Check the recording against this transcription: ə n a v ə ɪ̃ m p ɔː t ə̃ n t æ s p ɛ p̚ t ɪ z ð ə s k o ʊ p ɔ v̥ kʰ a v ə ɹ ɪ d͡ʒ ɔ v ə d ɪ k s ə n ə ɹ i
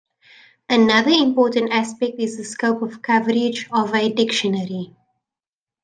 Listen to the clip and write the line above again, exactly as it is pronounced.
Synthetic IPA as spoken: ə n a ð ə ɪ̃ m p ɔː t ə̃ n t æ s p ɛ k̚ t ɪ z ð ə s k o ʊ p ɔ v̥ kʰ a v ə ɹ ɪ d͡ʒ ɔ v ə d ɪ k ʃ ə n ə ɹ i